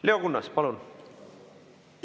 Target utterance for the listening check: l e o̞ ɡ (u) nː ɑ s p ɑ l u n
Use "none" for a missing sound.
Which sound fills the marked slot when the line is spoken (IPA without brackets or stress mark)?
u